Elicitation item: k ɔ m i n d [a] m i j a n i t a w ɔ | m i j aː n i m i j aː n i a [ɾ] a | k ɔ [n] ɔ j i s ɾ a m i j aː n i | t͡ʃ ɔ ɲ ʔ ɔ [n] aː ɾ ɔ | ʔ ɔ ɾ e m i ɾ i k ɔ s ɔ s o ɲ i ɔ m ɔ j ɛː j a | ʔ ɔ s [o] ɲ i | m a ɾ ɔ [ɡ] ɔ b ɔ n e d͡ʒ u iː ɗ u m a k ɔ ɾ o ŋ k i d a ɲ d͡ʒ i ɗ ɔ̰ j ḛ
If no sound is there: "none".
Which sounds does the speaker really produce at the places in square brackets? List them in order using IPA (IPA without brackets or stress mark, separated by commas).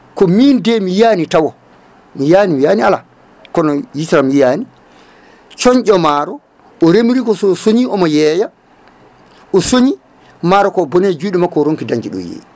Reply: ɛ, l, n, m, o, k